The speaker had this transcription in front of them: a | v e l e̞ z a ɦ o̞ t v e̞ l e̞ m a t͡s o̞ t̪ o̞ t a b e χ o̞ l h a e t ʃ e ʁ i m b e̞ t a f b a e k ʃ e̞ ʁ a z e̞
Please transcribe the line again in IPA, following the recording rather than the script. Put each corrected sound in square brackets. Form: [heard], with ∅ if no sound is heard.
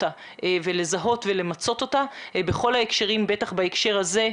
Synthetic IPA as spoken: a | v e l e̞ z a ɦ o̞ t v e̞ l e̞ m a t͡s o̞ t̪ o̞ t a b e χ o̞ l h a e [k] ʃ e ʁ i m b e̞ t a [χ] b a e k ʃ e̞ ʁ a z e̞